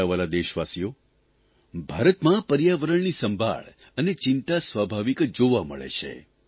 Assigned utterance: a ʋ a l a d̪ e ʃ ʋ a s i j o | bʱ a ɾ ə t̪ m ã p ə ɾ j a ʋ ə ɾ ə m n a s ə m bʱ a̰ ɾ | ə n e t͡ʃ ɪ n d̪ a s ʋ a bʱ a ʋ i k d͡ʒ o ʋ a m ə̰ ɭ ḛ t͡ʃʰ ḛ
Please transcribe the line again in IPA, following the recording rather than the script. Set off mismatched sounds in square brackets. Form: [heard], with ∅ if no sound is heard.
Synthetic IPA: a ʋ a l a d̪ e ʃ ʋ a s i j o | bʱ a ɾ ə t̪ m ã p ə ɾ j a ʋ ə ɾ ə [ɳ] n [i] s ə m bʱ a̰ [ɭ] | ə n e t͡ʃ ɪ n [t̪] a s ʋ a bʱ a ʋ i k d͡ʒ o ʋ a m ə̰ ɭ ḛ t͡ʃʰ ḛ